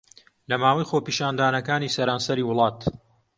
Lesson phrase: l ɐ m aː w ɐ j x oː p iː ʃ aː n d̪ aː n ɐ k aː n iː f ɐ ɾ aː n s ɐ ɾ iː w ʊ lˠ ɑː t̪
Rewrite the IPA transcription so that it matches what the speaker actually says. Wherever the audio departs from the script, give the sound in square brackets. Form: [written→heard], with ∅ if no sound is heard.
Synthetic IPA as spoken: l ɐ m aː w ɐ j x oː p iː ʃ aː n d̪ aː n ɐ k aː n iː [f→s] ɐ ɾ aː n s ɐ ɾ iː w ʊ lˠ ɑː t̪